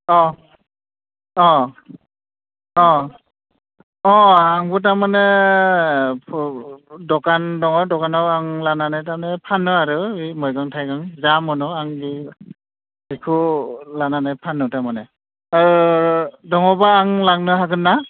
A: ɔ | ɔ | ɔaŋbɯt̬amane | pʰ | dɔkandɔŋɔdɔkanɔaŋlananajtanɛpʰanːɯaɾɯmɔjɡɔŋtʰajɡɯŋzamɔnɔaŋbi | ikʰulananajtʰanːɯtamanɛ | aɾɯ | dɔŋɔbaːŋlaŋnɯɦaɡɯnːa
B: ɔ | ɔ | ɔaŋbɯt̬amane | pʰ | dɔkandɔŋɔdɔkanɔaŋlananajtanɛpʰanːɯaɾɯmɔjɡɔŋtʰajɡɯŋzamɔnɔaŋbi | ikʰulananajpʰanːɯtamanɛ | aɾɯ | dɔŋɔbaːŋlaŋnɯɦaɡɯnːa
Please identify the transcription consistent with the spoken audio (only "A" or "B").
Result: B